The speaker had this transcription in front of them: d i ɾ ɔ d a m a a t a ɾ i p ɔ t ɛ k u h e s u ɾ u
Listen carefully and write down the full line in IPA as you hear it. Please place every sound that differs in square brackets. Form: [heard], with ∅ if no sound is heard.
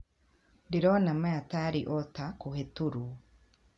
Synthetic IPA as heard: d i ɾ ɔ [n] a m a a t a ɾ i [ʔ] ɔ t [a] k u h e [t] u ɾ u